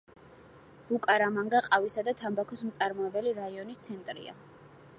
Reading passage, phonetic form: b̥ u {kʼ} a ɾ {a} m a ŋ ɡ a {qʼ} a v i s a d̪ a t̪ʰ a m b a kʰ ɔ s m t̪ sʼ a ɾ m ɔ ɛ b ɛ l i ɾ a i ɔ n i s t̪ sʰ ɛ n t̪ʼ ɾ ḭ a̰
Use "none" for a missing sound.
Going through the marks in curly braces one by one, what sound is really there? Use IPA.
kʼ, a, qʼ

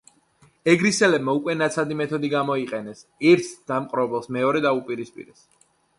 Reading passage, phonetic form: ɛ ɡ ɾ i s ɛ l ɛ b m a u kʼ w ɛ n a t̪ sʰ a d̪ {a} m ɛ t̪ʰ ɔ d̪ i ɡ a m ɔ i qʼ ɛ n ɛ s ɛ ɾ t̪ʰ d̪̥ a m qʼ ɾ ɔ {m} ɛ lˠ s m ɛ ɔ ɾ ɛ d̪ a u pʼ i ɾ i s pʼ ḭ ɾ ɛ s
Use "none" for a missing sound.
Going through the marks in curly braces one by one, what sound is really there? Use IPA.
i, b

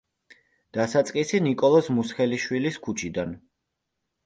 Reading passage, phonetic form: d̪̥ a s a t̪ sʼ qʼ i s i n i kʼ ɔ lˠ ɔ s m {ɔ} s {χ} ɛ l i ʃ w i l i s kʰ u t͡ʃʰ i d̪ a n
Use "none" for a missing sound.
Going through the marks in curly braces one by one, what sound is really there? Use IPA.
u, χ

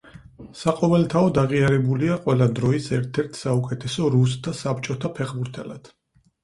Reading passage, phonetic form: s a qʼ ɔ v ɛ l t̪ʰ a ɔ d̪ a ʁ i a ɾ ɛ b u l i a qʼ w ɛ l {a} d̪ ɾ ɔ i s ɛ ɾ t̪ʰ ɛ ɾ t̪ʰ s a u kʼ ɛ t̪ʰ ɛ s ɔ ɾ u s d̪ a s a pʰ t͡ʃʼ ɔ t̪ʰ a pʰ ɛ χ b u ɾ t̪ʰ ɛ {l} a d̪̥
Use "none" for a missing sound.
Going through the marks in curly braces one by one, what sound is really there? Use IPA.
a, l

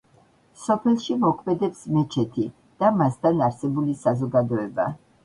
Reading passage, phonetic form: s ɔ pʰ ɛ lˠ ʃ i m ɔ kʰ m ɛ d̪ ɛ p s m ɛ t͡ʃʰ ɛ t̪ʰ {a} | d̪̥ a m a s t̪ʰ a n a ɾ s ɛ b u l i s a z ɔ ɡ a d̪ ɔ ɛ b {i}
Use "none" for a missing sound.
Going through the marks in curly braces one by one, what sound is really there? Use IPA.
i, a

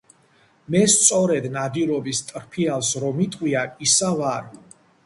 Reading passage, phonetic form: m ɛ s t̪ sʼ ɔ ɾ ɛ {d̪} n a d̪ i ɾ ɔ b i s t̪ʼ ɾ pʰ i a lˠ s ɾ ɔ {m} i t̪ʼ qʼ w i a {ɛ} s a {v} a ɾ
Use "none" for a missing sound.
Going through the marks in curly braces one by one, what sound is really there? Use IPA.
d̪, m, i, v

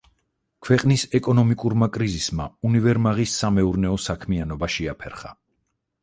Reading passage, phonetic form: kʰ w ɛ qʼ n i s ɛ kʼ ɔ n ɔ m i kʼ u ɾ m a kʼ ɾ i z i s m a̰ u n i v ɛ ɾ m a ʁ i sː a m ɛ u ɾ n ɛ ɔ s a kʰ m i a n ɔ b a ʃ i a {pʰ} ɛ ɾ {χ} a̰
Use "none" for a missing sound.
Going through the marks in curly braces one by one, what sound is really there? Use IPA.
pʰ, χ

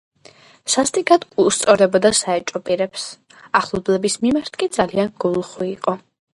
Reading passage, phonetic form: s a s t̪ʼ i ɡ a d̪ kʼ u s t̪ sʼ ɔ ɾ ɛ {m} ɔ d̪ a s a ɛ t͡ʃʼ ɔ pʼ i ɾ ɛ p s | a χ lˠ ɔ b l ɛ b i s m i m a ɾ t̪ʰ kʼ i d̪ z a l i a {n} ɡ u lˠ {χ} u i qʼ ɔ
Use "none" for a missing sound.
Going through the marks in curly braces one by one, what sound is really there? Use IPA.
b, n, χ

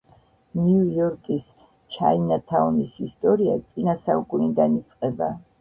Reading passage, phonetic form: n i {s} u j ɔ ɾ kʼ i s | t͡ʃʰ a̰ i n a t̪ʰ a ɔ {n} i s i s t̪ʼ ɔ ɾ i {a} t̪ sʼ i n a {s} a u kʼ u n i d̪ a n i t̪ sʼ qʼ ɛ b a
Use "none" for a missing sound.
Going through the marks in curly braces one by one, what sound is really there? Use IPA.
none, n, a, s

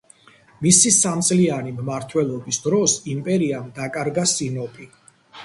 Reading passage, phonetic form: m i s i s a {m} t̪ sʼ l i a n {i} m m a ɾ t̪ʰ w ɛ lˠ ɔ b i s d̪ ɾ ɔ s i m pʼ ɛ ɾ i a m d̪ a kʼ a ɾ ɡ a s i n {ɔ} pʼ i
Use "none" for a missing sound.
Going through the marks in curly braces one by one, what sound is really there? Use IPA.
m, i, ɔ

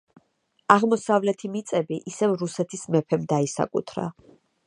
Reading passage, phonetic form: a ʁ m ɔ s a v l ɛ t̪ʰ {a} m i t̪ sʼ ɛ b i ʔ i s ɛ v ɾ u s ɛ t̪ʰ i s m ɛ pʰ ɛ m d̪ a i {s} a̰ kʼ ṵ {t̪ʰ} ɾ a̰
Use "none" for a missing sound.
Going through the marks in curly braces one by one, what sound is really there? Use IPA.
i, s, t̪ʰ

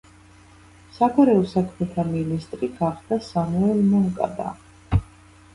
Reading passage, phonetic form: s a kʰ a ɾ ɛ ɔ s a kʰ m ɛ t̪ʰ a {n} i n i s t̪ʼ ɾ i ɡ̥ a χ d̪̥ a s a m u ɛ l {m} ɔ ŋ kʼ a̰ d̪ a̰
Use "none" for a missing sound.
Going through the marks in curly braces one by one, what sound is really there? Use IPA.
m, m

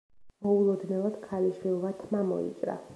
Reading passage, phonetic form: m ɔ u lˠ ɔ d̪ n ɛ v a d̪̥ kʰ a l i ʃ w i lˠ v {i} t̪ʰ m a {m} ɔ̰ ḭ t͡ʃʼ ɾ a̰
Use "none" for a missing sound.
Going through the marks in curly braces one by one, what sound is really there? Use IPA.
a, m

